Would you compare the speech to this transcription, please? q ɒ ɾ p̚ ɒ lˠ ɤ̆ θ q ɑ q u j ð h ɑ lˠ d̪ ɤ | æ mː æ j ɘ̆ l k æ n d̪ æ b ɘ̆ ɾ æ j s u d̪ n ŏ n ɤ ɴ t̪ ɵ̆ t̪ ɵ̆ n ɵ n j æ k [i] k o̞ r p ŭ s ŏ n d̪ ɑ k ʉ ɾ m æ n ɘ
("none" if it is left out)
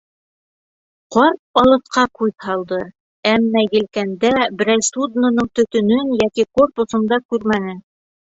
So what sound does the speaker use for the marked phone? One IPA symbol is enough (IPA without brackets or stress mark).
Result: i